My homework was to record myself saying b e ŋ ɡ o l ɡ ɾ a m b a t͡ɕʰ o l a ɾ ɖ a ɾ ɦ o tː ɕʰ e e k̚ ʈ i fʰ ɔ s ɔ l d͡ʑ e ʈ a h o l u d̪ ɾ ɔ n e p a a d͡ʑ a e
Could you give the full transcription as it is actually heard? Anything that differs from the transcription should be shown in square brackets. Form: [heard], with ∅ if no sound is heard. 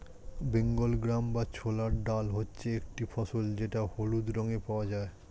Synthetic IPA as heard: b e ŋ ɡ o l ɡ ɾ a m b a t͡ɕʰ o l a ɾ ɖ a [l] ɦ o tː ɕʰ e e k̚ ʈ i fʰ ɔ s [o] l d͡ʑ e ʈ a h o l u d̪ ɾ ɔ [ŋ] e p a a d͡ʑ a e